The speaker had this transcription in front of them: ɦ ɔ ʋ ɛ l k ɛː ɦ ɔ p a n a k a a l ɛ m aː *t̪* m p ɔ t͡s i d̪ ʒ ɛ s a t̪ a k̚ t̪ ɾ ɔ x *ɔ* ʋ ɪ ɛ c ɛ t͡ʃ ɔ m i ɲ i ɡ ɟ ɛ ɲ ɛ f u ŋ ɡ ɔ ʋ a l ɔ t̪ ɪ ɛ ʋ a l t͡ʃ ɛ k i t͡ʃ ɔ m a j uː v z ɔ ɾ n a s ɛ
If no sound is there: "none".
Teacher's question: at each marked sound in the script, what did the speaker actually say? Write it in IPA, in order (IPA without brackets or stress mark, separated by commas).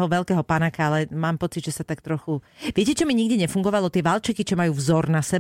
none, u